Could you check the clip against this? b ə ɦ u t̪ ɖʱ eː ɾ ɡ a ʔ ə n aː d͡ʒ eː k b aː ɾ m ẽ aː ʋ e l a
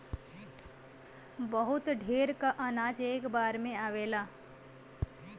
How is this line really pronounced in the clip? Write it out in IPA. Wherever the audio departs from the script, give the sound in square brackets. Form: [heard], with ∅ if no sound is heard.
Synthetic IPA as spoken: b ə ɦ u t̪ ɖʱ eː ɾ [k] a ʔ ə n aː d͡ʒ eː k b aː ɾ m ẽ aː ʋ e l a